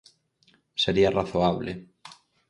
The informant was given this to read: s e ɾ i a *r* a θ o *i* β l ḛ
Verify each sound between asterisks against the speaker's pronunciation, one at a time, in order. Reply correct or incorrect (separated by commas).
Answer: correct, incorrect